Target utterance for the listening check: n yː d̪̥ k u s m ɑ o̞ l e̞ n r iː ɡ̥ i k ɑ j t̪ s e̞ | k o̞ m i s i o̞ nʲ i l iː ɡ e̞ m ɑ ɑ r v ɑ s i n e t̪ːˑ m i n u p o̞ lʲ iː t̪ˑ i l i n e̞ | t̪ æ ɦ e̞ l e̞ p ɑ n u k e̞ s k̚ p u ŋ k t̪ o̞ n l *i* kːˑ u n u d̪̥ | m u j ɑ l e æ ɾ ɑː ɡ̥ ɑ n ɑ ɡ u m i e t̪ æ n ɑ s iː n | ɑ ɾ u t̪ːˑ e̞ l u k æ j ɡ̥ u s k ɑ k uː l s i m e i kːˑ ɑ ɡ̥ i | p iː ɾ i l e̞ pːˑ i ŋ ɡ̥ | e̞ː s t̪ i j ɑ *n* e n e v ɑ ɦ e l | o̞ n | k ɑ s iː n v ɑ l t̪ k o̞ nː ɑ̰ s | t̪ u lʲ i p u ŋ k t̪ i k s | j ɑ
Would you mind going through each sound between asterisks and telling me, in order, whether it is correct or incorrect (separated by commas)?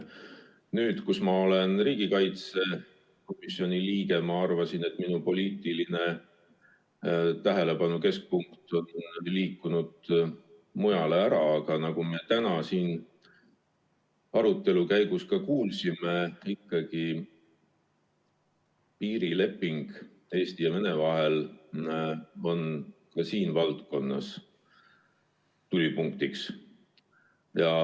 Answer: incorrect, incorrect